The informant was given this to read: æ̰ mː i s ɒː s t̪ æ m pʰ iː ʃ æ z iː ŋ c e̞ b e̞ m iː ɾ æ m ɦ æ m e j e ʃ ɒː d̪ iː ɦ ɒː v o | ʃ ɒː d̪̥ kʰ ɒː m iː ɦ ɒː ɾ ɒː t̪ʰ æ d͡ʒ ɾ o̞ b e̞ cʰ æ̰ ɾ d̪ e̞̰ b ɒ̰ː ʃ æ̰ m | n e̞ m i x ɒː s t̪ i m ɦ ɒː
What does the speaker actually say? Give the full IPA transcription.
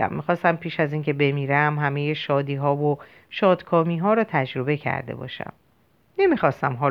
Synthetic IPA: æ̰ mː i x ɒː s t̪ æ m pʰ iː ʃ æ z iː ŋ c e̞ b e̞ m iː ɾ æ m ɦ æ m e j e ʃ ɒː d̪ iː ɦ ɒː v o | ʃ ɒː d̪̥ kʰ ɒː m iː ɦ ɒː ɾ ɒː t̪ʰ æ d͡ʒ ɾ o̞ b e̞ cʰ æ̰ ɾ d̪ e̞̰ b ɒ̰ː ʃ æ̰ m | n e̞ m i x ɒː s t̪ æ m ɦ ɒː